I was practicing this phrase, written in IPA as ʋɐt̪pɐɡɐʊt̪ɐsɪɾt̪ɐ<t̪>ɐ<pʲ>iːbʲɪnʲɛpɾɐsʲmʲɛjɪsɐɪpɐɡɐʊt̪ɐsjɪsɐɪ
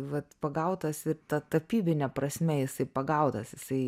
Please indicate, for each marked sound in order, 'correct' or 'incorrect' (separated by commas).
correct, correct